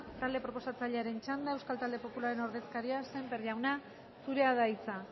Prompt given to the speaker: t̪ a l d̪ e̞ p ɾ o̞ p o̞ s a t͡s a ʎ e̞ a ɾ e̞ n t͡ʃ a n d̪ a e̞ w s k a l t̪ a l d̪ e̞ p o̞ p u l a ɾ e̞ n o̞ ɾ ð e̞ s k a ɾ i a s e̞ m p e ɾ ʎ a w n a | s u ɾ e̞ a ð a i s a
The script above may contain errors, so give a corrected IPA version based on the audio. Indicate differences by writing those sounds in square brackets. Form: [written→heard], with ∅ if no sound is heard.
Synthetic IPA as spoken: t̪ a l d̪ e̞ p ɾ o̞ p o̞ s a t͡s a ʎ e̞ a ɾ e̞ n t͡ʃ a n d̪ a e̞ w s k a l t̪ a l d̪ e̞ p o̞ p u l a ɾ e̞ n o̞ ɾ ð e̞ s k a ɾ i a s e̞ m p e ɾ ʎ a w n a | s u ɾ e̞ a ð a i [s→t͡s] a